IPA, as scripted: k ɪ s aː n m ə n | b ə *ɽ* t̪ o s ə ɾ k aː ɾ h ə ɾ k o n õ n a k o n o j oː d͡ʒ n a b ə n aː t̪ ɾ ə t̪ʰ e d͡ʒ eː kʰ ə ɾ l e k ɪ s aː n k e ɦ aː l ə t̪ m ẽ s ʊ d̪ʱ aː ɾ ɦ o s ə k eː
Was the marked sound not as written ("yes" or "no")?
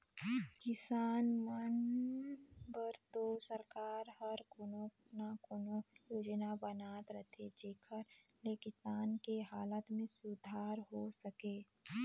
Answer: yes